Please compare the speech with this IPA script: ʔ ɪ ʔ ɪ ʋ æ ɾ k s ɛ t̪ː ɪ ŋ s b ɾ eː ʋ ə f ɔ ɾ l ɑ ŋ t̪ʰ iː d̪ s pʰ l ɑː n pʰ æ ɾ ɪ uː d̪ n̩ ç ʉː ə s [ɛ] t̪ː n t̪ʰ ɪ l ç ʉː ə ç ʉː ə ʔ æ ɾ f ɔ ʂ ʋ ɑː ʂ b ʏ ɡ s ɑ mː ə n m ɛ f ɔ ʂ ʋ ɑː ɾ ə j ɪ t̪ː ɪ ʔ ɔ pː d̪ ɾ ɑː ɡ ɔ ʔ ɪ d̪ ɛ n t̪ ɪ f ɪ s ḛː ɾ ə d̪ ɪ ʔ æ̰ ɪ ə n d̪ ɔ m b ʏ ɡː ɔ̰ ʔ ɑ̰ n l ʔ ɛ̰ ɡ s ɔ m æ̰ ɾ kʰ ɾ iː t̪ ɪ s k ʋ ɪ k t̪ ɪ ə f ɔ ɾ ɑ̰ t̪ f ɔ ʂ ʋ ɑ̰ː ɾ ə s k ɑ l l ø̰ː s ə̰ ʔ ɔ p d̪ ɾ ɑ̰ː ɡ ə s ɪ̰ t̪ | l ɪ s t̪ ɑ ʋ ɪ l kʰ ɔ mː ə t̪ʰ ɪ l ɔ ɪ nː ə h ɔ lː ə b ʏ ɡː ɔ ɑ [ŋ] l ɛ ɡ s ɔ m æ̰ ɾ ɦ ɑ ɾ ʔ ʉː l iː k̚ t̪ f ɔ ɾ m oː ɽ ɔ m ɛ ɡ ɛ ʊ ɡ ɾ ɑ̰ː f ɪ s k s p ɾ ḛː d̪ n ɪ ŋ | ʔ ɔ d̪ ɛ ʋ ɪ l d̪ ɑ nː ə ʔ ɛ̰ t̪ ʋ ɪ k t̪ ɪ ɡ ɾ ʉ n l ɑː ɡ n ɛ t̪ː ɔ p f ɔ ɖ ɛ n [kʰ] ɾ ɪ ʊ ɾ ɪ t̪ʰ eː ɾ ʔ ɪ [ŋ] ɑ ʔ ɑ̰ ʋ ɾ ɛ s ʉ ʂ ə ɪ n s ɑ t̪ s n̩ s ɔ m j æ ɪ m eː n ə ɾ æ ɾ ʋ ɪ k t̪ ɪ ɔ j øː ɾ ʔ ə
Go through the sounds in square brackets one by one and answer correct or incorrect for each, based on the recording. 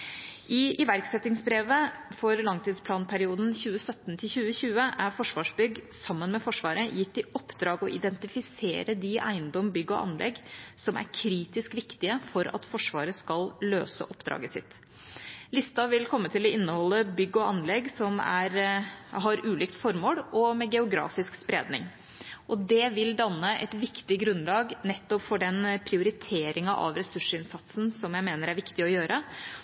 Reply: incorrect: œ, incorrect: n, incorrect: pʰ, correct

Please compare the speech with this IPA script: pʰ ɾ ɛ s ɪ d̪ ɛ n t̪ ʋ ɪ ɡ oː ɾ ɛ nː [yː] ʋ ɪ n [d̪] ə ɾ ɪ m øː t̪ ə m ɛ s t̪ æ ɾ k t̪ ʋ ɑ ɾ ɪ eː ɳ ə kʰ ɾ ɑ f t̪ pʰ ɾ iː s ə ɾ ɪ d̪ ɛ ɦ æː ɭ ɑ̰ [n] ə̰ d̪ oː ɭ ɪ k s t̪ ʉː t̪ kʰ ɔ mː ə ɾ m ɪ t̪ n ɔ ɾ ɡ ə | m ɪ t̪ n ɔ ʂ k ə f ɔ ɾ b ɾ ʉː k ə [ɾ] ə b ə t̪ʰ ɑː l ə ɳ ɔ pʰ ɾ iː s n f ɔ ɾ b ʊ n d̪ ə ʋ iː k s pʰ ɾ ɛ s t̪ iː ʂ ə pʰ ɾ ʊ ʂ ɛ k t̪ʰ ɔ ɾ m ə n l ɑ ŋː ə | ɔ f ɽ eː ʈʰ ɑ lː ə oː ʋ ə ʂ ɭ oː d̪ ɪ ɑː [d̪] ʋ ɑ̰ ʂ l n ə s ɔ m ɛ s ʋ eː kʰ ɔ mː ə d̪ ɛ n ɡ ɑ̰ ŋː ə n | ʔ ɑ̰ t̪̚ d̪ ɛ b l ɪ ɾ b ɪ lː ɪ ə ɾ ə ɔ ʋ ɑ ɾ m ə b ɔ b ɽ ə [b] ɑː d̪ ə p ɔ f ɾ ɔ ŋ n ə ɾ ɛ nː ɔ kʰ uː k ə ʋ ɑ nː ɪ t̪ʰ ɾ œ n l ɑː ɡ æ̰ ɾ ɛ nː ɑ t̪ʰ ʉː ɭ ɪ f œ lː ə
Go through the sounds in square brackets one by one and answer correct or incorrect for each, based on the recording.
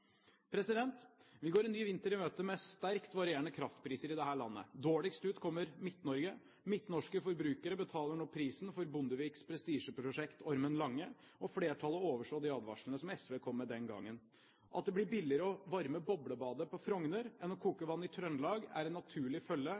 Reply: correct, incorrect: t̪, incorrect: nː, correct, correct, correct

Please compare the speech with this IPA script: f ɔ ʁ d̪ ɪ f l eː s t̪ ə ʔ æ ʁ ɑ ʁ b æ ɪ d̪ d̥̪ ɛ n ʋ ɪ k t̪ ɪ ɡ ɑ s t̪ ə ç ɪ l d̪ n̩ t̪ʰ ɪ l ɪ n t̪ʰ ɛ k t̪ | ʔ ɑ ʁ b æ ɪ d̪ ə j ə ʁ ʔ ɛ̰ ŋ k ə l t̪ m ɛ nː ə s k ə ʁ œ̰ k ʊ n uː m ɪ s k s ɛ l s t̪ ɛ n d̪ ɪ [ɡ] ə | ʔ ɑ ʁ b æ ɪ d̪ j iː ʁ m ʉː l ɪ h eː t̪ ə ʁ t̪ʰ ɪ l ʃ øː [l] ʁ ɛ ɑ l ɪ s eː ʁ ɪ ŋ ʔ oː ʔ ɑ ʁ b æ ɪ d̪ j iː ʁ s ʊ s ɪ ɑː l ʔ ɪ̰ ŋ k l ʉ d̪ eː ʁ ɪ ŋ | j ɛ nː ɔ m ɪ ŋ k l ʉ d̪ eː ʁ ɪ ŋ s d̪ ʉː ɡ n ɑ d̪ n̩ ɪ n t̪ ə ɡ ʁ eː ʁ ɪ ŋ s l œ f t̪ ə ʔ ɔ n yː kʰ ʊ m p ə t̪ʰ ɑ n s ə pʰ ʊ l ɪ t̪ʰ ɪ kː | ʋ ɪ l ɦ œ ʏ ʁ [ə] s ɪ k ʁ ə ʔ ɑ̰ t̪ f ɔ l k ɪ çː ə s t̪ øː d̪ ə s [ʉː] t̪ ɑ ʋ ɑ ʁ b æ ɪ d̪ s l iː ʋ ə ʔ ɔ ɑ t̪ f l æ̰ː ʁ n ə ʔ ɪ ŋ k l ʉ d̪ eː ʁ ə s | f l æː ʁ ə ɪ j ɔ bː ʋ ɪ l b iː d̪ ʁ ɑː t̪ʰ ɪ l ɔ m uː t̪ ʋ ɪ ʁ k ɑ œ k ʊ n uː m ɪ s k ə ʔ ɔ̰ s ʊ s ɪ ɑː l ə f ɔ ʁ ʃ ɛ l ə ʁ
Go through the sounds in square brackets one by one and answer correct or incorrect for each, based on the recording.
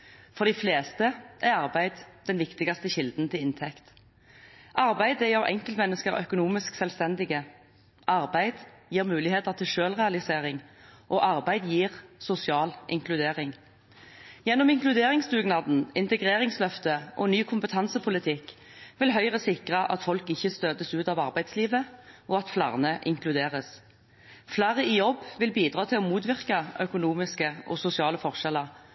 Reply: correct, correct, correct, correct

